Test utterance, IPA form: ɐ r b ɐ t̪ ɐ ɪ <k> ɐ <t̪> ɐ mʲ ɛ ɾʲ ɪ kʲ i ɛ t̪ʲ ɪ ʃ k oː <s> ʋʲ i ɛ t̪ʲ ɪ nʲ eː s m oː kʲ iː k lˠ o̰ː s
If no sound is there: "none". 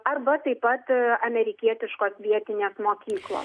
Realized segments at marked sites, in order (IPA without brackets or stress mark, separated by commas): p, t̪, s